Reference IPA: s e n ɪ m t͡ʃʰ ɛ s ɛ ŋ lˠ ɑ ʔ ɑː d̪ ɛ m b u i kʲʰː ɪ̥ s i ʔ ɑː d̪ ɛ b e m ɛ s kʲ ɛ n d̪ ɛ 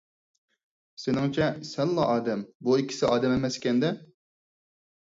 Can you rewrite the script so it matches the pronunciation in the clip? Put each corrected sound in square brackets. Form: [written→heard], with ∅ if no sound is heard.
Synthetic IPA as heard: s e n ɪ [m→ŋ] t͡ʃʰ ɛ s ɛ [ŋ→n] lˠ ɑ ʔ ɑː d̪ ɛ m b u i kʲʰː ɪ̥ s [i→ɪ] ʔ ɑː d̪ ɛ [b→m] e m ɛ s kʲ ɛ n d̪ ɛ